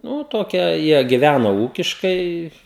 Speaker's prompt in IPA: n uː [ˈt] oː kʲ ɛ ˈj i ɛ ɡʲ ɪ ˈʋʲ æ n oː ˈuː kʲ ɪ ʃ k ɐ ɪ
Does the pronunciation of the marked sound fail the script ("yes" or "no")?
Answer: no